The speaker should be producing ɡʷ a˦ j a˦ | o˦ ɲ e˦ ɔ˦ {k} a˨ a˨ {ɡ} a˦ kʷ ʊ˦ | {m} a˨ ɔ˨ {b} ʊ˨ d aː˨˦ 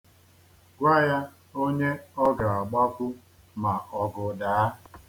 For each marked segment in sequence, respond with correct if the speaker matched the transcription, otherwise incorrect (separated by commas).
incorrect, incorrect, correct, incorrect